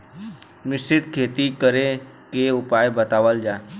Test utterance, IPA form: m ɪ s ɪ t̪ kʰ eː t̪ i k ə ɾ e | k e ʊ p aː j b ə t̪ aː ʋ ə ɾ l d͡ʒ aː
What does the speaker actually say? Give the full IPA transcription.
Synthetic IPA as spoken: m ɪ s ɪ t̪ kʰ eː t̪ i k ə ɾ e | k e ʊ p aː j b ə t̪ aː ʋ ə l d͡ʒ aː